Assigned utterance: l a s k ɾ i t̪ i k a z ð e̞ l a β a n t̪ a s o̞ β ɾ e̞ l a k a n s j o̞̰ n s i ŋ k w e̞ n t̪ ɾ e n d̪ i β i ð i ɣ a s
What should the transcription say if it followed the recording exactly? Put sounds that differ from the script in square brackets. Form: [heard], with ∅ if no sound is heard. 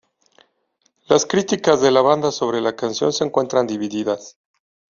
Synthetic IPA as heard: l a s k ɾ i t̪ i k a z ð e̞ l a β a n [d̪] a s o̞ β ɾ e̞ l a k a n s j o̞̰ n s [e] ŋ k w e̞ n t̪ ɾ [a] n d̪ i β i ð i [ð] a s